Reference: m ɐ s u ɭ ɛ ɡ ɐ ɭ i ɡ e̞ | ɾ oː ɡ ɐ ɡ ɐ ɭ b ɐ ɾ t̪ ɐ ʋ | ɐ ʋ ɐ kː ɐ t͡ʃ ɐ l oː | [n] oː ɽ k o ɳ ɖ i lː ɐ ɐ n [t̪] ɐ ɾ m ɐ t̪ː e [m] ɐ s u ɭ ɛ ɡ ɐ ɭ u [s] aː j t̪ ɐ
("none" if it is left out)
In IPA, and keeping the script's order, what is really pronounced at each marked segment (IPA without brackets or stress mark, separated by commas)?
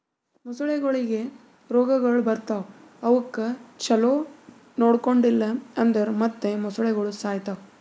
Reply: n, d̪, m, s